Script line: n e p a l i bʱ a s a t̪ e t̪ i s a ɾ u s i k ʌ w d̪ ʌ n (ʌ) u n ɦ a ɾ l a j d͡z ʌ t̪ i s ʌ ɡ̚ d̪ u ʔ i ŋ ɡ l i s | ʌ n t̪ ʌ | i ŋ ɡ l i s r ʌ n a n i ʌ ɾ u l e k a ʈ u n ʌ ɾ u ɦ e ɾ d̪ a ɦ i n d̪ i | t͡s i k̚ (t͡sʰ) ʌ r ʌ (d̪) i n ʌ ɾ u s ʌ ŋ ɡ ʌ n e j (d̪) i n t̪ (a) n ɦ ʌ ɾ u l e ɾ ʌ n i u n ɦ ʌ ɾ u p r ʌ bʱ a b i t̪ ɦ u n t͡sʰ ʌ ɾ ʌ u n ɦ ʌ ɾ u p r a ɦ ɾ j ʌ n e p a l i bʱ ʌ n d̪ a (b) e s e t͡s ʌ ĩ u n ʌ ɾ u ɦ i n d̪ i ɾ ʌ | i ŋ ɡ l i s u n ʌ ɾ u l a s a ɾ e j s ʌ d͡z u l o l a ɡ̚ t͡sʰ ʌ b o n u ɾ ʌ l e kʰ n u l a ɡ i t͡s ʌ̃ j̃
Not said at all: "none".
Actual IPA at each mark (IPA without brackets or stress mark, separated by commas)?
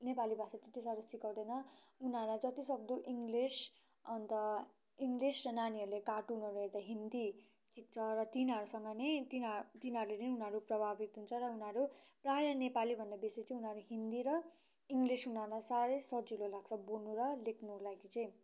ʌ, t͡sʰ, t̪, t̪, i, b